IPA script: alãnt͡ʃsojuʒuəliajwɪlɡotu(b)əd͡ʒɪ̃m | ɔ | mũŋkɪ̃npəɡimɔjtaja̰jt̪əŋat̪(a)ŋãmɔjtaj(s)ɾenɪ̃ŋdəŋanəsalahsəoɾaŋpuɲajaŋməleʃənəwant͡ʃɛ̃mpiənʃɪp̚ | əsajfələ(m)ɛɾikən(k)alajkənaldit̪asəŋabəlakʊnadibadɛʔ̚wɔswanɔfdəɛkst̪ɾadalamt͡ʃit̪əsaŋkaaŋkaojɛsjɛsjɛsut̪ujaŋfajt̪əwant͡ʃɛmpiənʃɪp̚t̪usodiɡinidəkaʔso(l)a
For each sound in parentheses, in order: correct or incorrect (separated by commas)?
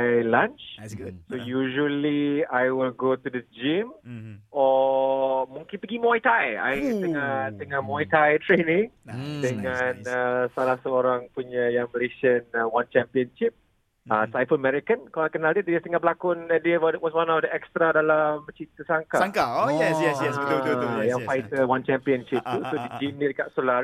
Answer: incorrect, incorrect, incorrect, correct, correct, correct